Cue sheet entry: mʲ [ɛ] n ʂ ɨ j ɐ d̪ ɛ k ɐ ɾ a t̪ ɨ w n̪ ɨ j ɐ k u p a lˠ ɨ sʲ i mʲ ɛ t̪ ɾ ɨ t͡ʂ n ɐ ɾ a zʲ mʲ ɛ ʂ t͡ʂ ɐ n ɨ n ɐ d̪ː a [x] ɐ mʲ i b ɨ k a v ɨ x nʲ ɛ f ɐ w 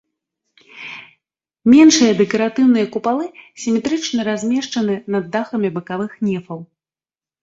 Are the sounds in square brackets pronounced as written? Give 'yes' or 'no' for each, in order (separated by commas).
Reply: yes, yes